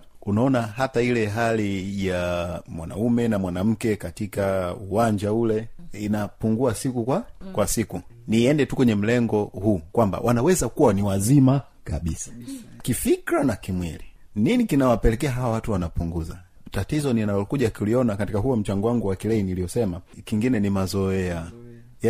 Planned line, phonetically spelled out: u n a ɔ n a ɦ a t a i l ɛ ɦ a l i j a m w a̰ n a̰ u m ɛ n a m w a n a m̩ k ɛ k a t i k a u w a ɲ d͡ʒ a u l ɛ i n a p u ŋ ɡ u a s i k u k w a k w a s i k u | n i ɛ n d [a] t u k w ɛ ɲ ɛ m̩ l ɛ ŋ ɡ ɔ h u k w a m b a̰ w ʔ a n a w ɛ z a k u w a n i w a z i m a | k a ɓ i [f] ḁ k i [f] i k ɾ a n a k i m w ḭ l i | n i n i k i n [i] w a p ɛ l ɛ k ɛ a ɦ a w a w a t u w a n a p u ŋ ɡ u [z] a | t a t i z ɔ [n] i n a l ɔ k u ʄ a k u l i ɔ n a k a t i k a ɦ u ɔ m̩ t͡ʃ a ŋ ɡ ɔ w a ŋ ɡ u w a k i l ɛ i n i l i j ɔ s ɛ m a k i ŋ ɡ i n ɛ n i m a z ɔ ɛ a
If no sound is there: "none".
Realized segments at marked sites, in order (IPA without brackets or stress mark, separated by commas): ɛ, s, f, a, z, n